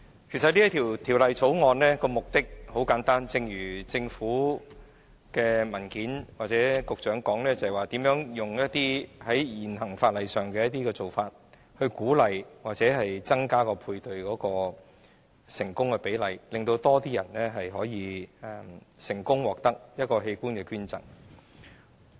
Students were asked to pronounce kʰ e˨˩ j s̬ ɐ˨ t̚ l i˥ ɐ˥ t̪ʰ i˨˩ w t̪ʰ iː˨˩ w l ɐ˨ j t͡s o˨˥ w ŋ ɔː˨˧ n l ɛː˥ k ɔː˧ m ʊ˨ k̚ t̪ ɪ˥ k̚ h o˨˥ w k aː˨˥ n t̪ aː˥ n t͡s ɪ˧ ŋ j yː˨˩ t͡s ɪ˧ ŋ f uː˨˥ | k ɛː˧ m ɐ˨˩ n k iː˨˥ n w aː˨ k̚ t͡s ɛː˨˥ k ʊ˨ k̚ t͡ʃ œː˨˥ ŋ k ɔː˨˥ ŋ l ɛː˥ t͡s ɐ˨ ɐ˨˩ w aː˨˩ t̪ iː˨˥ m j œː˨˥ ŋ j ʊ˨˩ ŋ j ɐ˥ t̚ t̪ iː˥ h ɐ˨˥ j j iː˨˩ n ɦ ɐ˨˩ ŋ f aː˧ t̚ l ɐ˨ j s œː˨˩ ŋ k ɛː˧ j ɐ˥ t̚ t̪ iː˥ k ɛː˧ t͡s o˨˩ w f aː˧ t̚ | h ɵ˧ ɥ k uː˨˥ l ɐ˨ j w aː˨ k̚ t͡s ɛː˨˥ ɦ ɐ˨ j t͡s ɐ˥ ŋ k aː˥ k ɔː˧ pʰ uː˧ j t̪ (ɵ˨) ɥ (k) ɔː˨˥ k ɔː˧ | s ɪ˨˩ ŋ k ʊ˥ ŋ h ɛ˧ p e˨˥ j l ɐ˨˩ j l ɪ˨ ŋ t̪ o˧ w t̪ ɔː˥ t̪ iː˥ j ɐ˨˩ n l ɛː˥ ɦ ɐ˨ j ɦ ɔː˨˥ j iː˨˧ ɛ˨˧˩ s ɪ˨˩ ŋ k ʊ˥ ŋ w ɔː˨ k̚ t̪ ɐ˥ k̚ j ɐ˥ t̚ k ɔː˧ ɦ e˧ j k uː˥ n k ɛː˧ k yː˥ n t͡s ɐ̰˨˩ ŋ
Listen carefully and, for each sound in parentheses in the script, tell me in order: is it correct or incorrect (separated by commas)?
correct, correct